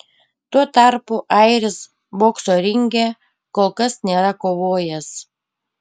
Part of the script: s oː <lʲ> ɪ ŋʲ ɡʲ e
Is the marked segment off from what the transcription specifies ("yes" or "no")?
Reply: yes